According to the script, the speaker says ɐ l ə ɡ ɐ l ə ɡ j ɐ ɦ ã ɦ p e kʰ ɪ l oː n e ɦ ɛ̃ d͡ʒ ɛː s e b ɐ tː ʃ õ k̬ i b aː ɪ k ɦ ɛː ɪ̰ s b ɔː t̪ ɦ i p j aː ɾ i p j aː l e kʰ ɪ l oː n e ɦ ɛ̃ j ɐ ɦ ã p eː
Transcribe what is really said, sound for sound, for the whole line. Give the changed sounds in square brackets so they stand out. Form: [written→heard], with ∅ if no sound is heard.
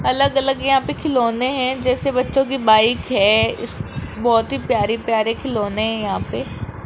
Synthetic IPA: ɐ l ə ɡ ɐ l ə ɡ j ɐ ɦ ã [ɦ→∅] p e kʰ ɪ l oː n e ɦ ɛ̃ d͡ʒ ɛː s e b ɐ tː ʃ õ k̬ i b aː ɪ k ɦ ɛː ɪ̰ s b ɔː t̪ ɦ i p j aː ɾ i p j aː [l→ɾ] e kʰ ɪ l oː n e ɦ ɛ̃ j ɐ ɦ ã p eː